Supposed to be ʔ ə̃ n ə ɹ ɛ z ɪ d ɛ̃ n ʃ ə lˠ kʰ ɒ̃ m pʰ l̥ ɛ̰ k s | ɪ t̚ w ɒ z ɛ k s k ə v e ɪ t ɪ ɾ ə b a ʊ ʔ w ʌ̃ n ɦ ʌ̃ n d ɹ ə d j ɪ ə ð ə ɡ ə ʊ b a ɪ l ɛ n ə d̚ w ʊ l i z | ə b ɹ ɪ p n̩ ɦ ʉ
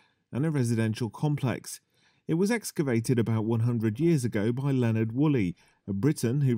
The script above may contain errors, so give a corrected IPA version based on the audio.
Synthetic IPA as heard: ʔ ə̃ n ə ɹ ɛ z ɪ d ɛ̃ n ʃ ə lˠ kʰ ɒ̃ m pʰ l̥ ɛ̰ k s | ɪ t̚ w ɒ z ɛ k s k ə v e ɪ t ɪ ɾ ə b a ʊ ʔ w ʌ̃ n ɦ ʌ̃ n d ɹ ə d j ɪ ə z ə ɡ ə ʊ b a ɪ l ɛ n ə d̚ w ʊ l i | ə b ɹ ɪ ʔ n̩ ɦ ʉ